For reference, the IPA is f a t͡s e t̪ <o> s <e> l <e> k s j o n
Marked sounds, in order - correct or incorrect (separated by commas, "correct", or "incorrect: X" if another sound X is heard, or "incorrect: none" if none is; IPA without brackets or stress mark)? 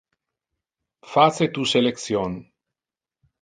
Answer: incorrect: u, correct, correct